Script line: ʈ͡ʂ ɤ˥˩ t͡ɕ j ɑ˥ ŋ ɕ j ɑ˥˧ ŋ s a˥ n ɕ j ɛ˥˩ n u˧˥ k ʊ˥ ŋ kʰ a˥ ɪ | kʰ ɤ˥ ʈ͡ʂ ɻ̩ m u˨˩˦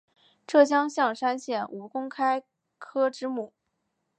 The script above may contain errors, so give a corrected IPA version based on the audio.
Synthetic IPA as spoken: ʈ͡ʂ ɤ˥˩ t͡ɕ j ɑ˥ ŋ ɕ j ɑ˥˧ ŋ ʂ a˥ n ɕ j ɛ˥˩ n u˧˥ k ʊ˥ ŋ kʰ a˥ ɪ | kʰ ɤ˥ ʈ͡ʂ ɻ̩ m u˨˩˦